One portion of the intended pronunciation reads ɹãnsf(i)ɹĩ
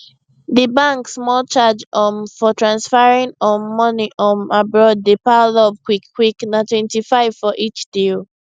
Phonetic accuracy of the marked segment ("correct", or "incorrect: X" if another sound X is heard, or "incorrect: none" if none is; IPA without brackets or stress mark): incorrect: a